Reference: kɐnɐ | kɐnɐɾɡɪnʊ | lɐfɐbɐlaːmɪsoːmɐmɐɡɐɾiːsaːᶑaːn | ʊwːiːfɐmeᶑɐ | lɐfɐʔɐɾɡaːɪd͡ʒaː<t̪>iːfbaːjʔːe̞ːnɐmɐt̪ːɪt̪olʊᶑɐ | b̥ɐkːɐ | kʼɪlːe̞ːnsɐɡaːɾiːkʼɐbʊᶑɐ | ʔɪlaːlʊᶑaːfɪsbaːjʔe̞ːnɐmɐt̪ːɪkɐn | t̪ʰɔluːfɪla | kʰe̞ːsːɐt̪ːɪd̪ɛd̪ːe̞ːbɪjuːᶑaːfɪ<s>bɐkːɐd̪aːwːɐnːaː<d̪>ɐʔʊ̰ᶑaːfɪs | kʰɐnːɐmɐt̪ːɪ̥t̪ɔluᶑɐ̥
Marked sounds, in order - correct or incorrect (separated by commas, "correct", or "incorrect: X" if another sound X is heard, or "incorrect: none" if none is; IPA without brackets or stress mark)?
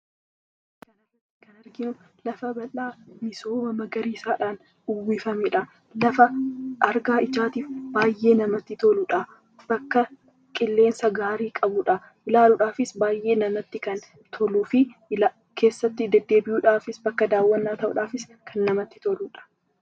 correct, correct, incorrect: t̪